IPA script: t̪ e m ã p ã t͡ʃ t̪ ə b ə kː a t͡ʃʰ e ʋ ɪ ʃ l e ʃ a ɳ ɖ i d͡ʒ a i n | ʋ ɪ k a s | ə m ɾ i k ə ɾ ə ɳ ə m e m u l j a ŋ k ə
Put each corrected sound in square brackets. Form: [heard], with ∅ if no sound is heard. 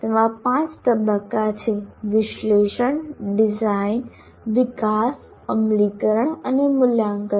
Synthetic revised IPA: t̪ e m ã p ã t͡ʃ t̪ ə b ə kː a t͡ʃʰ e ʋ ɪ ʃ l e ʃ [ə] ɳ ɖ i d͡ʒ a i n | ʋ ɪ k a s | ə m [l] i k ə ɾ ə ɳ ə [n] e m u l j a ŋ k ə